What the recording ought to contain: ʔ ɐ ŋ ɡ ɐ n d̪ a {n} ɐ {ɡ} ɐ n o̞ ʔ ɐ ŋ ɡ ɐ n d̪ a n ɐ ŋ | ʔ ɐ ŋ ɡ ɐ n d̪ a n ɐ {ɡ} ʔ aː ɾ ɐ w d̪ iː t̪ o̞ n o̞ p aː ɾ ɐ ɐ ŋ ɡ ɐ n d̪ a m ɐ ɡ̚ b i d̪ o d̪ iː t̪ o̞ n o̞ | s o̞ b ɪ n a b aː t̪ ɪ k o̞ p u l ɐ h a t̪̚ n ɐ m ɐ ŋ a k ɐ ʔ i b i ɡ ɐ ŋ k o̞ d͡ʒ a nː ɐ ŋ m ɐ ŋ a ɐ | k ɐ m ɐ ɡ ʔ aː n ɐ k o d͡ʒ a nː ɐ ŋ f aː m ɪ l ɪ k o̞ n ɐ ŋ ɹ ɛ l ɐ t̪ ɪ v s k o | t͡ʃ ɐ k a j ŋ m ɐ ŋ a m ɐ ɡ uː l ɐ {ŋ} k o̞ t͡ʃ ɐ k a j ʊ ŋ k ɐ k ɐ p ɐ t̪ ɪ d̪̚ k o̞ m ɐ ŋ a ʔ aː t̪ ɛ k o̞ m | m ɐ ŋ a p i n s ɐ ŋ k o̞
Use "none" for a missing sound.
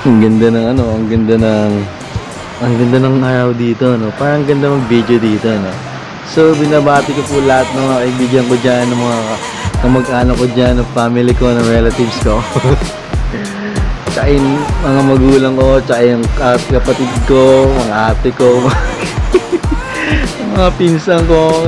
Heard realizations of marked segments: n, ŋ, ŋ, ŋ

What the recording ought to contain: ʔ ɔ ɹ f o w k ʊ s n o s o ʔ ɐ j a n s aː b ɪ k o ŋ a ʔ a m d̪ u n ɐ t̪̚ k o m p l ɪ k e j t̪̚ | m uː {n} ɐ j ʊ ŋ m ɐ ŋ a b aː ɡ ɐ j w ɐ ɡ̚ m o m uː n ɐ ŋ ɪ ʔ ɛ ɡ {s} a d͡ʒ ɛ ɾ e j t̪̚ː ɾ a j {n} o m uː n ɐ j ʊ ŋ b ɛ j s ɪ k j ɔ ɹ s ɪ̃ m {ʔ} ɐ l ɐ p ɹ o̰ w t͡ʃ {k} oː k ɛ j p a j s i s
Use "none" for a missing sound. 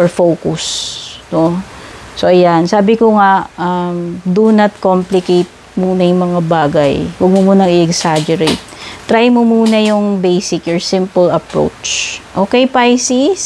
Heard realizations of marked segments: n, s, m, p, ʔ

